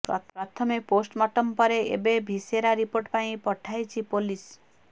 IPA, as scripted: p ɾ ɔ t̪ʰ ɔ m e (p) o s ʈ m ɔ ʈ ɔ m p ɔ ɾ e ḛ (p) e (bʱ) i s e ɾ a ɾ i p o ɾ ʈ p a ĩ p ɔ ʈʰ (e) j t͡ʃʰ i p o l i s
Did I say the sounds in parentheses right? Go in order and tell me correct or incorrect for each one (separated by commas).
correct, incorrect, correct, incorrect